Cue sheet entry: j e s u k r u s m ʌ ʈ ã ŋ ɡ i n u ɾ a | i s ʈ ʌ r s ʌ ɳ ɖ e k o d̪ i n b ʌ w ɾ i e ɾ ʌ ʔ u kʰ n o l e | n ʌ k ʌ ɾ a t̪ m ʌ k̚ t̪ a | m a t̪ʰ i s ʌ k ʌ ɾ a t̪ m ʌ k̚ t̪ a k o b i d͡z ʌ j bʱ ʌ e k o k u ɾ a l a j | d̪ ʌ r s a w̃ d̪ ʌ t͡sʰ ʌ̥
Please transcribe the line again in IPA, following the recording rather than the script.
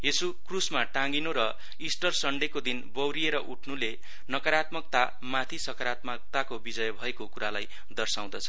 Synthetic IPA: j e s u k r u s m a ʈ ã ŋ ɡ i n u ɾ ʌ | i s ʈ ʌ r s ʌ ɳ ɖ e k o d̪ i n b ʌ w ɾ i e ɾ ʌ ʔ u ʈʰ n u l e | n ʌ k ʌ ɾ a t̪ m ʌ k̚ t̪ a | m a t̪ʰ i s ʌ k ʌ ɾ a t̪ m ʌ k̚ t̪ a k o b i d͡z ʌ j bʱ ʌ e k o k u ɾ a l a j | d̪ ʌ r s a w̃ d̪ ʌ t͡sʰ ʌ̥